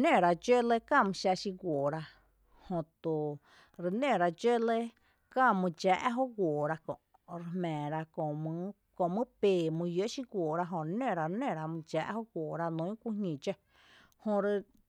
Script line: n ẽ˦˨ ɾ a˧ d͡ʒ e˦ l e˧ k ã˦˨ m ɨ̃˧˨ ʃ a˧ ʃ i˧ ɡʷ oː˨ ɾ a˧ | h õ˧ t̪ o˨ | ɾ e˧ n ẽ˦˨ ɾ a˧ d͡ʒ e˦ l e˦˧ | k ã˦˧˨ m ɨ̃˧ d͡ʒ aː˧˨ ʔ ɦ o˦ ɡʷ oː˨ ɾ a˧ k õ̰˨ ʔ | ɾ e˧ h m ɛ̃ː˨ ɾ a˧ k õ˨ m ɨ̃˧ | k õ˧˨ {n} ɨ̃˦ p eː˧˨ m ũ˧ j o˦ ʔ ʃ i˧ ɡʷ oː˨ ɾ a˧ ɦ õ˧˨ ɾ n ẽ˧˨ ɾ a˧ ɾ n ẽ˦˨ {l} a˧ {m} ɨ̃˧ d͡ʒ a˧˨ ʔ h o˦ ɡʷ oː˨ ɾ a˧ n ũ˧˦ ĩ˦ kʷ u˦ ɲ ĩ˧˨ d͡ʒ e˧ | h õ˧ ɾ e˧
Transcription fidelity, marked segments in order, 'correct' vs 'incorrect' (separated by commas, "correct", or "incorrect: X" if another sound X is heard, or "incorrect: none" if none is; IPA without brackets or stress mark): incorrect: m, incorrect: ɾ, correct